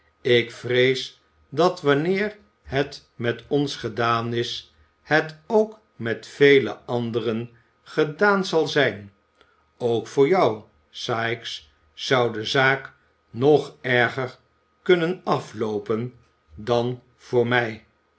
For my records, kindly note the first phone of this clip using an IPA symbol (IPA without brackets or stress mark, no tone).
ɪ